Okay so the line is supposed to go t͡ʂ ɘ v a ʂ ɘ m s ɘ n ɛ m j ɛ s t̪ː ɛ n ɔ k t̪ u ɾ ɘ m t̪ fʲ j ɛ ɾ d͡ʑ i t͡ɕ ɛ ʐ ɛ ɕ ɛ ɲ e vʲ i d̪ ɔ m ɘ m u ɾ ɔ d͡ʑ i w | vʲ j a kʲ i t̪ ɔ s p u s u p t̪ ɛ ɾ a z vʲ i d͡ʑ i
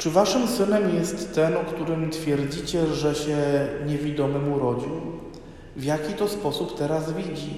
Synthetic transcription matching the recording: t͡ʂ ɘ v a ʂ ɘ m s ɘ n ɛ m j ɛ s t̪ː ɛ n ɔ k t̪ u ɾ ɘ m t̪ fʲ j ɛ ɾ d͡ʑ i t͡ɕ ɛ ʐ ɛ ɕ ɛ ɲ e vʲ i d̪ ɔ m ɘ m u ɾ ɔ d͡ʑ i w | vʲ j a kʲ i t̪ ɔ s p ɔ s u p t̪ ɛ ɾ a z vʲ i d͡ʑ i